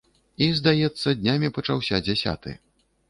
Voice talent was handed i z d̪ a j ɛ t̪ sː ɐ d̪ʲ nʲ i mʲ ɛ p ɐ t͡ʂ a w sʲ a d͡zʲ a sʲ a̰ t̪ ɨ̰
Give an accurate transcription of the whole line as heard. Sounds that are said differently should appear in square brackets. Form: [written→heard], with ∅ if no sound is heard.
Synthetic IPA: i z d̪ a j ɛ t̪ sː ɐ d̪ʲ nʲ [i→a] mʲ [ɛ→i] p ɐ t͡ʂ a w sʲ a d͡zʲ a sʲ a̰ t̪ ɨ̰